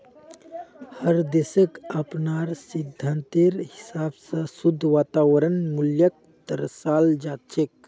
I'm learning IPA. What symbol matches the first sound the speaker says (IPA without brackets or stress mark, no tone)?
h